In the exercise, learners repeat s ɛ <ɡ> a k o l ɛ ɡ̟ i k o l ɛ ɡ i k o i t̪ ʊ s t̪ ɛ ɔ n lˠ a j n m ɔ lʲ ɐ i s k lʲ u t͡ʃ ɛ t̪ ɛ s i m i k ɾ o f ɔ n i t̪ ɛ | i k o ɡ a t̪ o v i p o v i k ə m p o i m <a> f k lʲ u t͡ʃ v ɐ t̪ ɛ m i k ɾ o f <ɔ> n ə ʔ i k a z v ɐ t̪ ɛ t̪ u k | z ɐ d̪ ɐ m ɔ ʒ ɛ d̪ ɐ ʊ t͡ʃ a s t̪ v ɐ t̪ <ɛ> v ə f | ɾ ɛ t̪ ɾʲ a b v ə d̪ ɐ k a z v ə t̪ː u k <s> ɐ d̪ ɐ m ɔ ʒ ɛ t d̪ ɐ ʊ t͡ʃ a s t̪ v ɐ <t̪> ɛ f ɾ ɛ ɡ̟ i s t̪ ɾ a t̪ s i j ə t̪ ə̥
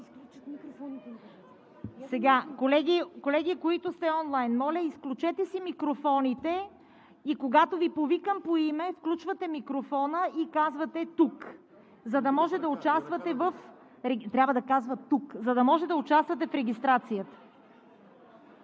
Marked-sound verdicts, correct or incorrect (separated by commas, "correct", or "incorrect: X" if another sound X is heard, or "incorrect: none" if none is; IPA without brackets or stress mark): correct, incorrect: ɛ, correct, correct, incorrect: z, correct